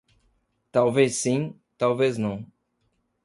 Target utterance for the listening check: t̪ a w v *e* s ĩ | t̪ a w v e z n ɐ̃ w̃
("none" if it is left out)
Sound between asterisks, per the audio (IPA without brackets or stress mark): e